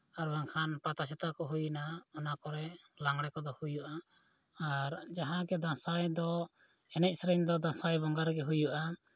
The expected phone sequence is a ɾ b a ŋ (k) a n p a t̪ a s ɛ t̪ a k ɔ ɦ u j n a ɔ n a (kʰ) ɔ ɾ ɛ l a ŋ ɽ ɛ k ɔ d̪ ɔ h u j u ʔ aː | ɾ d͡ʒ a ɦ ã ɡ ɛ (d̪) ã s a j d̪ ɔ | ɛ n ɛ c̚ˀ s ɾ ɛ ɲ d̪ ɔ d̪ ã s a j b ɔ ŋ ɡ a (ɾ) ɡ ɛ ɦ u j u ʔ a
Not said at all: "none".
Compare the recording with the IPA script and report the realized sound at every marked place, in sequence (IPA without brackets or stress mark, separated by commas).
kʰ, k, d̪, ɾ